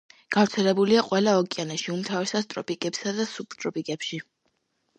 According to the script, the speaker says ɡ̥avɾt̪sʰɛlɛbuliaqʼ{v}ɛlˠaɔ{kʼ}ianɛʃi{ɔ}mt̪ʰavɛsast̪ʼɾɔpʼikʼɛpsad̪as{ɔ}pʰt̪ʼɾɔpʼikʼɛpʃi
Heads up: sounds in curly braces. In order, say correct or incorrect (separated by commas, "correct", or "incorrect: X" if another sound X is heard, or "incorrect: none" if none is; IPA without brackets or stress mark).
incorrect: w, correct, incorrect: u, incorrect: u